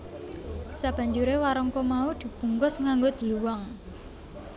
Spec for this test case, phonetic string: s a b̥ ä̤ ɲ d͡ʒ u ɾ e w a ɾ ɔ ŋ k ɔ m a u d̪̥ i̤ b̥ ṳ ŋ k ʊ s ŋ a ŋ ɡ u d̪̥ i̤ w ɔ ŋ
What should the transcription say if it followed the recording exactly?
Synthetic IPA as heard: s a b̥ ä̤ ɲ d͡ʒ u ɾ e w a ɾ ɔ ŋ k ɔ m a u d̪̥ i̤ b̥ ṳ ŋ k ʊ s ŋ a ŋ ɡ o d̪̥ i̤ w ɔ ŋ